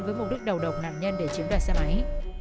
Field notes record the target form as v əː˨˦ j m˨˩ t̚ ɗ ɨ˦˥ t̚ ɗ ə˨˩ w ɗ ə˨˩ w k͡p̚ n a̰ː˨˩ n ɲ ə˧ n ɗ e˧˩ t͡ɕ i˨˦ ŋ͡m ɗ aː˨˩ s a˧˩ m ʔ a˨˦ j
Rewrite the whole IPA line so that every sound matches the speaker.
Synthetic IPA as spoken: v əː˨˦ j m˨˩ t̚ ɗ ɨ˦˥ k̚ ɗ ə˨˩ w ɗ ə˨˩ w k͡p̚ n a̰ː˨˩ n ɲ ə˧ n ɗ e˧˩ t͡ɕ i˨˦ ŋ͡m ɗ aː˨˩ s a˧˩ m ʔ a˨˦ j